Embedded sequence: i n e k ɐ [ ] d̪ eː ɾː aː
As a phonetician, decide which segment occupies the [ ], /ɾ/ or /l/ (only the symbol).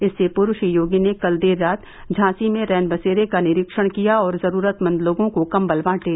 l